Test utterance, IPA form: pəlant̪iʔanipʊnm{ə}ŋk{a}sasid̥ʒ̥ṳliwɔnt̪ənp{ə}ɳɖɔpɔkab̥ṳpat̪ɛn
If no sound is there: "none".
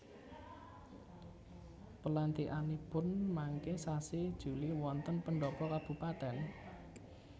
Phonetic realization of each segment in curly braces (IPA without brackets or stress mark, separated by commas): a, e, ə